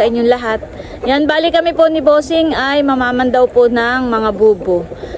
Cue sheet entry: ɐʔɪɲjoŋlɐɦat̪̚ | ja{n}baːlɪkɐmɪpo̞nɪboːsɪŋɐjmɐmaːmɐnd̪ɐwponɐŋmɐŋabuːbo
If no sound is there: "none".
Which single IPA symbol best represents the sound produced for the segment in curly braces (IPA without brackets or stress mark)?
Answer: n